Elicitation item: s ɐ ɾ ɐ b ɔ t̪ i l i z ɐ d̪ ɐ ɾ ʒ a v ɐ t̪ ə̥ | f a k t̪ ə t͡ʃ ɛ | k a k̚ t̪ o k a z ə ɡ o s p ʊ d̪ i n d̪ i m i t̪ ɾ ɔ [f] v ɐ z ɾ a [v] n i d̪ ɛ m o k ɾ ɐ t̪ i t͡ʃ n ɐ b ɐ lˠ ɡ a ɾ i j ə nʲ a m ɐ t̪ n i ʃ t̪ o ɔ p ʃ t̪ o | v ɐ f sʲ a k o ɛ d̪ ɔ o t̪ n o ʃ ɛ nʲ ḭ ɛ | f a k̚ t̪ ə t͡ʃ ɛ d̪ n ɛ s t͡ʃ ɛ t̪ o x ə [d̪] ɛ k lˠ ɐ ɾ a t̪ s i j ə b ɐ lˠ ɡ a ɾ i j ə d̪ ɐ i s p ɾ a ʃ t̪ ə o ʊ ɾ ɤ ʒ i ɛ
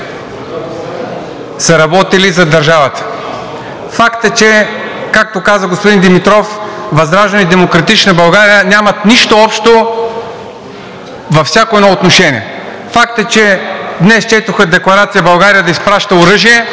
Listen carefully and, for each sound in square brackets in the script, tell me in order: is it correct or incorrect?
correct, incorrect: ʒ, correct

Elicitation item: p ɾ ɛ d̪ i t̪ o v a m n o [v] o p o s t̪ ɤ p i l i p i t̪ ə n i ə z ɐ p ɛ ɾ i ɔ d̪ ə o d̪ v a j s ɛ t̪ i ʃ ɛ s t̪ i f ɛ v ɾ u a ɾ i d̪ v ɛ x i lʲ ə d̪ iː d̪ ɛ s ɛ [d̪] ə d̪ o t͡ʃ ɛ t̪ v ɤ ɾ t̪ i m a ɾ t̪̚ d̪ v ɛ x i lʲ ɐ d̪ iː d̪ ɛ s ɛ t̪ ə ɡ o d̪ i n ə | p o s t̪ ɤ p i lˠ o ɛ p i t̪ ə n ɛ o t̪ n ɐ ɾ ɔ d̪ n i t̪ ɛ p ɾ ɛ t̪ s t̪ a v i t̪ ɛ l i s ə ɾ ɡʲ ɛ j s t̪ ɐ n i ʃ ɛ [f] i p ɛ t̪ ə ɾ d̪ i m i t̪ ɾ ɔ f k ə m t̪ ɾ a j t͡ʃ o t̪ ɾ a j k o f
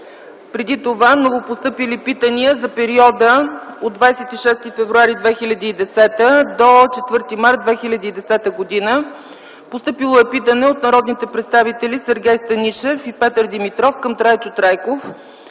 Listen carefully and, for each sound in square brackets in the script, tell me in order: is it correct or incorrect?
correct, incorrect: t̪, correct

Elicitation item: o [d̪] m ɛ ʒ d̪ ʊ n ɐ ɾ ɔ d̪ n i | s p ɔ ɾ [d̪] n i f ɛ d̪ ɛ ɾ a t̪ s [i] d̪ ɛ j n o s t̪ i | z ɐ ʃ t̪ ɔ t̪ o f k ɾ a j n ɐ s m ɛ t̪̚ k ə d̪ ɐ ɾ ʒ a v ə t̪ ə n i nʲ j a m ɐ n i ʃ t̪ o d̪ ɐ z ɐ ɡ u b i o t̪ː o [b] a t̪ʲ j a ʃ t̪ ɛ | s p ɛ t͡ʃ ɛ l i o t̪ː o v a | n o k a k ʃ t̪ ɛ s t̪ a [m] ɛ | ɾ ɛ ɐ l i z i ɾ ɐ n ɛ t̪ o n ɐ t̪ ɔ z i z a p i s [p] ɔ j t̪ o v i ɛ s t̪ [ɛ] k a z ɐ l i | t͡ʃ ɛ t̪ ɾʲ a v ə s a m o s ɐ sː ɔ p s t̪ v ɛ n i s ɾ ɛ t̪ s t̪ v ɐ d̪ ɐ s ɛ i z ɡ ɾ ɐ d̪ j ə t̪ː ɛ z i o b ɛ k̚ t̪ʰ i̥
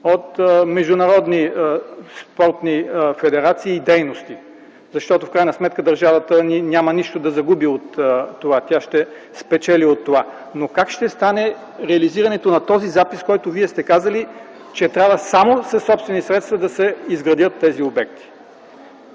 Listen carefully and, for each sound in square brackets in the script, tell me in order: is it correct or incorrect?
incorrect: t̪, incorrect: t̪, incorrect: iː, incorrect: v, incorrect: n, incorrect: k, correct

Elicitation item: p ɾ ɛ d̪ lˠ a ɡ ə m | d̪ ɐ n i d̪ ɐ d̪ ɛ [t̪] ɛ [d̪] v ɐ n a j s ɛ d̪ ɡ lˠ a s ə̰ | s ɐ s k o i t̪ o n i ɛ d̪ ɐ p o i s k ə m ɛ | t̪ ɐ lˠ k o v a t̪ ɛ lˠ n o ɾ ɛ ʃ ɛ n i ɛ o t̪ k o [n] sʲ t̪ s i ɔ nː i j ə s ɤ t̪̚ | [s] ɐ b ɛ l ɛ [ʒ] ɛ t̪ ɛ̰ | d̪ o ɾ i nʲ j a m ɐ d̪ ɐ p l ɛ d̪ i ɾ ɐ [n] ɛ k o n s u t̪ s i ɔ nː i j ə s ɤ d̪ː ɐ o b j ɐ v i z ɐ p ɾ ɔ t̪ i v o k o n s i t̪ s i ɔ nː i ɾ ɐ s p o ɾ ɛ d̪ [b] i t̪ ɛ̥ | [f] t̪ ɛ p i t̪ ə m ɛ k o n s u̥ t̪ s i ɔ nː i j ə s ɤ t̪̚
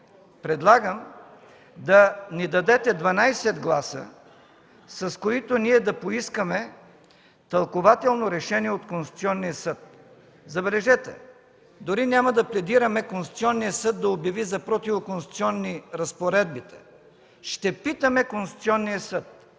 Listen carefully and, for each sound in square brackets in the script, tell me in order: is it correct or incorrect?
correct, correct, correct, incorrect: z, correct, incorrect: m, correct, incorrect: ʃ

